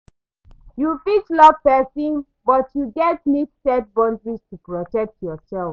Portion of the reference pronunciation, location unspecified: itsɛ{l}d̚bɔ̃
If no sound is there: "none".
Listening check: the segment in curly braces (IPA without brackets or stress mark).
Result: none